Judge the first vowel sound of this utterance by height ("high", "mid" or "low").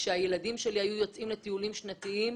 mid